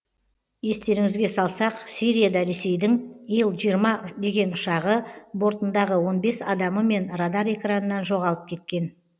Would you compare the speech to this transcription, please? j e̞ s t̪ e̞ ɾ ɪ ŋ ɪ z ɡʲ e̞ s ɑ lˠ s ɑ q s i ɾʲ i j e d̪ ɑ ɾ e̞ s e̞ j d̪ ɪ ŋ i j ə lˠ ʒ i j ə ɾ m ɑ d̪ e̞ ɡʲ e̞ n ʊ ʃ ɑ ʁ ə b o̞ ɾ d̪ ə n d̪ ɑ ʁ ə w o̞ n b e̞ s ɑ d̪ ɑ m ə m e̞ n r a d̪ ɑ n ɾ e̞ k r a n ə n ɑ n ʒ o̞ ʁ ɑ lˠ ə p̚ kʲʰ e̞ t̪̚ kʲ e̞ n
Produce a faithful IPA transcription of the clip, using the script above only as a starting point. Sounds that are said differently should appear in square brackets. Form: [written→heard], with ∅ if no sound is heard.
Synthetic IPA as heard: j e̞ s t̪ e̞ ɾ ɪ ŋ ɪ z ɡʲ e̞ s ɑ lˠ s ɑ q s i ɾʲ i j [e→a] d̪ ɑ ɾ e̞ s e̞ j d̪ ɪ ŋ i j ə lˠ ʒ i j ə ɾ m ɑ d̪ e̞ ɡʲ e̞ n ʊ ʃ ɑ ʁ ə b o̞ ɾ [d̪→t̪] ə n d̪ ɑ ʁ ə w o̞ n b e̞ s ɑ d̪ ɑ m ə m e̞ n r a d̪ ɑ [n→∅] ɾ e̞ k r a n ə n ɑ n ʒ o̞ ʁ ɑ lˠ ə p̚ kʲʰ e̞ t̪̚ kʲ e̞ n

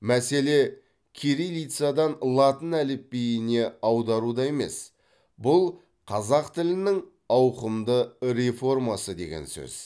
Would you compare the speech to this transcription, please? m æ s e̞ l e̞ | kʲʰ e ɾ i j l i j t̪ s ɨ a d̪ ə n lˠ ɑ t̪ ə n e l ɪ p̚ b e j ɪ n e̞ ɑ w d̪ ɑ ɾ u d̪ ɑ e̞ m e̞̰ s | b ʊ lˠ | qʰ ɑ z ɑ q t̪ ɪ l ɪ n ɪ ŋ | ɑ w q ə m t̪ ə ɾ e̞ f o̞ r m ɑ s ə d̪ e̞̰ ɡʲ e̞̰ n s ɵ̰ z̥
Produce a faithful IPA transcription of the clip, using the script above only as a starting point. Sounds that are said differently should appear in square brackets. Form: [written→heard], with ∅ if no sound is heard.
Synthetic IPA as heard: m æ s e̞ l e̞ | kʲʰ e ɾ i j l i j t̪ s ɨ a d̪ [ə→ɑ] n lˠ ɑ t̪ ə n [e→æ] l ɪ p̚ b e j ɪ n e̞ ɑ w d̪ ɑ ɾ u d̪ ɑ e̞ m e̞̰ s | b ʊ lˠ | qʰ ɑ z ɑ q t̪ ɪ l ɪ n ɪ ŋ | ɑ w q ə m [t̪→d̪] ə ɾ e̞ f o̞ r m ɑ s ə d̪ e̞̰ ɡʲ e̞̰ n s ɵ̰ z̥

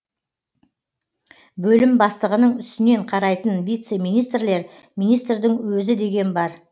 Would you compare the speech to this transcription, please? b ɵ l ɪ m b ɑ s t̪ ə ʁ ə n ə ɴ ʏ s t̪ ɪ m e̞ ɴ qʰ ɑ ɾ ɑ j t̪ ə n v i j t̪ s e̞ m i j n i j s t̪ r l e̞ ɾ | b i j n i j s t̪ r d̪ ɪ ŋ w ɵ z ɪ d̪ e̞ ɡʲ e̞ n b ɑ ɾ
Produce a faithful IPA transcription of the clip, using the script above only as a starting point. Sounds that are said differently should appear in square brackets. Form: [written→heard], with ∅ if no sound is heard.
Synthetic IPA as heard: b ɵ l ɪ m b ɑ s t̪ ə ʁ ə n ə ɴ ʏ s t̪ ɪ [m→n] e̞ ɴ qʰ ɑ ɾ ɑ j t̪ ə n v i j t̪ s e̞ m i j n i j s t̪ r l e̞ ɾ | [b→m] i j n i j s t̪ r d̪ ɪ ŋ w ɵ z ɪ d̪ e̞ ɡʲ e̞ n b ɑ ɾ

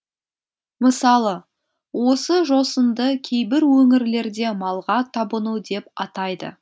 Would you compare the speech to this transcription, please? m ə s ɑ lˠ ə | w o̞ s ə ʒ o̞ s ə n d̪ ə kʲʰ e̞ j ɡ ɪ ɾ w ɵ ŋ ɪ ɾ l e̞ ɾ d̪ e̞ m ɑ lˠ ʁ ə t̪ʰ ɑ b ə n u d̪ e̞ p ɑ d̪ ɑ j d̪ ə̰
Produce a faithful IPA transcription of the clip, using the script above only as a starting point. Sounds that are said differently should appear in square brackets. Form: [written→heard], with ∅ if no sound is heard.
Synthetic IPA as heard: m ə s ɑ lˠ ə | w o̞ s ə ʒ o̞ s ə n d̪ ə kʲʰ e̞ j [ɡ→b] ɪ ɾ w ɵ ŋ ɪ ɾ l e̞ ɾ d̪ e̞ m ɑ lˠ ʁ [ə→ɑ] t̪ʰ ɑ b ə n u d̪ e̞ p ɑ [d̪→t̪] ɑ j d̪ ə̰

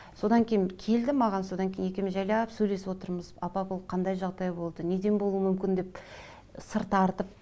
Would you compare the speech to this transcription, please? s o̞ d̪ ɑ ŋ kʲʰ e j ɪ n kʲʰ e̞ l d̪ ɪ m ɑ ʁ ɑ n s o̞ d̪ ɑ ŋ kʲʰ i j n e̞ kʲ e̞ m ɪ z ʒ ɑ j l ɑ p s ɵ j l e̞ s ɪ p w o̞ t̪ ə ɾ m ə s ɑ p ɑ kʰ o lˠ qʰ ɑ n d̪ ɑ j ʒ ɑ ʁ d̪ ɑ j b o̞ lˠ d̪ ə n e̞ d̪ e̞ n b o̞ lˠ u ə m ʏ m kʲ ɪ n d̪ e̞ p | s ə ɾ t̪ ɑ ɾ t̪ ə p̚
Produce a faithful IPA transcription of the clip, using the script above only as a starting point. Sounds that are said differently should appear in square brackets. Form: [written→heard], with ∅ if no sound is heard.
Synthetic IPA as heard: s o̞ d̪ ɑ ŋ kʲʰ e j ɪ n kʲʰ e̞ l d̪ ɪ m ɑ ʁ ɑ n s o̞ d̪ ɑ ŋ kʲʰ [i→e] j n e̞ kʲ e̞ m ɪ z ʒ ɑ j l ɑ p s ɵ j l e̞ s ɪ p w o̞ t̪ ə ɾ m ə [s→z] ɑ p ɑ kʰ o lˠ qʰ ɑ n d̪ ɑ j ʒ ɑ ʁ d̪ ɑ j b o̞ lˠ d̪ ə n e̞ d̪ e̞ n b o̞ lˠ u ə m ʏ m kʲ ɪ n d̪ e̞ p | s ə ɾ t̪ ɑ ɾ t̪ ə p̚

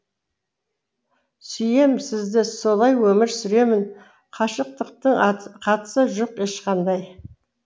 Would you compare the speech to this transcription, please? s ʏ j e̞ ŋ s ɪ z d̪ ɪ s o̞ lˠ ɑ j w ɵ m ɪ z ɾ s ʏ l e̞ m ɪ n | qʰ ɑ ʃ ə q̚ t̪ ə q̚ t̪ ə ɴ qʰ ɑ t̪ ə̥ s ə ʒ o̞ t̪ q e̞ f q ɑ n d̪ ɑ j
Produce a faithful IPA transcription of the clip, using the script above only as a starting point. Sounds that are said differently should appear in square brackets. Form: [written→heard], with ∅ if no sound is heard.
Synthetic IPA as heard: s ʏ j e̞ [ŋ→m] s ɪ z d̪ ɪ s o̞ lˠ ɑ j w ɵ m ɪ [z→∅] ɾ s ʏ [l→ɾ] e̞ m ɪ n | qʰ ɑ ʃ ə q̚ t̪ ə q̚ t̪ ə ɴ qʰ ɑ t̪ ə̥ s ə ʒ o̞ [t̪→∅] q e̞ [f→ʃ] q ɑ n d̪ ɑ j

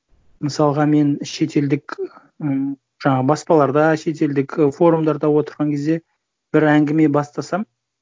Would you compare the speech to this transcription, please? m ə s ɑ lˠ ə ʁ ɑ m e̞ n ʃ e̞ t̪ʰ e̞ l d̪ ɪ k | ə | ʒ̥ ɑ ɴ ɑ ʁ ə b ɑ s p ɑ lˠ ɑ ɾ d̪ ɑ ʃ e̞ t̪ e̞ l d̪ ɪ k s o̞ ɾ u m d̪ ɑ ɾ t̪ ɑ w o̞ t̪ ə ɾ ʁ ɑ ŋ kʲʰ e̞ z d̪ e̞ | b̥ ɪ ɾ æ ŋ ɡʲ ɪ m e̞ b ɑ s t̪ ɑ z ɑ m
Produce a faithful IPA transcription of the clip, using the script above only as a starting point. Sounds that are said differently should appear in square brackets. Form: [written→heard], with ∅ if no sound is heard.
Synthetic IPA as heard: m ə s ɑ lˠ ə ʁ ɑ m e̞ n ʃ e̞ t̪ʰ e̞ l d̪ ɪ k | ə | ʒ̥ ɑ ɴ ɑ ʁ ə b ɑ s p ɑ lˠ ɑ ɾ d̪ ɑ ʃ e̞ t̪ e̞ l d̪ ɪ k [s→f] o̞ ɾ u m d̪ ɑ ɾ [t̪→d̪] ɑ w o̞ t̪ ə ɾ ʁ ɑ ŋ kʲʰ e̞ z d̪ e̞ | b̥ ɪ ɾ æ ŋ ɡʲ ɪ m e̞ b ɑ s t̪ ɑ [z→s] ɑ m

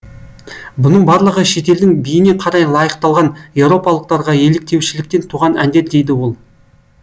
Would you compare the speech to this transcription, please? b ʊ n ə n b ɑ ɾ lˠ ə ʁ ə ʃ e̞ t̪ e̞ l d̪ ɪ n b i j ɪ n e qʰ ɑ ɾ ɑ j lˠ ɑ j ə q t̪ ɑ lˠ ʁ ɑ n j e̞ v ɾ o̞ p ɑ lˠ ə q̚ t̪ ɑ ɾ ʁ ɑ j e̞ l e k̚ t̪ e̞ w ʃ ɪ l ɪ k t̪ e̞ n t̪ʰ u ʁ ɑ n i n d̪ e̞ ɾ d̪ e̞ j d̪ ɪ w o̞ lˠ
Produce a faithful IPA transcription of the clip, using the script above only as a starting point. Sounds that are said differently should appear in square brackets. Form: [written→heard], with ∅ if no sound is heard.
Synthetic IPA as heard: b ʊ n ə [n→ɴ] b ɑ ɾ lˠ ə ʁ ə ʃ e̞ t̪ e̞ l d̪ ɪ [n→ŋ] b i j ɪ n e qʰ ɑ ɾ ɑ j lˠ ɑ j ə q t̪ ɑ lˠ ʁ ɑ n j e̞ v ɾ o̞ p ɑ lˠ ə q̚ t̪ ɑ ɾ ʁ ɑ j e̞ l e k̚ t̪ e̞ w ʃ ɪ l ɪ k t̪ e̞ n t̪ʰ u ʁ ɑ n [i→æ] n d̪ e̞ ɾ d̪ e̞ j d̪ ɪ w o̞ lˠ

